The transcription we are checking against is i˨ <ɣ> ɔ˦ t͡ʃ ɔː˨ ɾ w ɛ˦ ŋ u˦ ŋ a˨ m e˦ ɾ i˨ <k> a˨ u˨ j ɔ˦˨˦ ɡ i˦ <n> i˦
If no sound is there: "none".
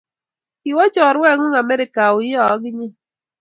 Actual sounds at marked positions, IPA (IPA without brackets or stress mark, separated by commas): w, k, ɲ